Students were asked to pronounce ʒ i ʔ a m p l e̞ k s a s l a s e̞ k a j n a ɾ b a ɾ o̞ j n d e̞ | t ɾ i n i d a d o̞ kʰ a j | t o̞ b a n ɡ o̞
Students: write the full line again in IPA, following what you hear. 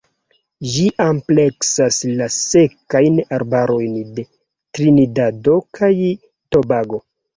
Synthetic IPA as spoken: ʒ i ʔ a m p l e̞ k s a s l a s e̞ k a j n a ɾ b a ɾ o̞ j n d e̞ | t ɾ i n i d a d o̞ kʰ a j | t o̞ b a ɡ o̞